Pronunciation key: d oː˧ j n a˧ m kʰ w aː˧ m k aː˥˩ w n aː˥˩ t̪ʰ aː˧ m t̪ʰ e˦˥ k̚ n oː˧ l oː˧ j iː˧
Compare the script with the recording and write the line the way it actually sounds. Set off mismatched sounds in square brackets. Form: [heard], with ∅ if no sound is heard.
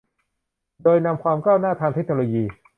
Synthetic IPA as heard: d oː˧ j n a˧ m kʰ w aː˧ m k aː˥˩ w n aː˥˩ t̪ʰ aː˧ [ŋ] t̪ʰ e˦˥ k̚ n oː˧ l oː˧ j iː˧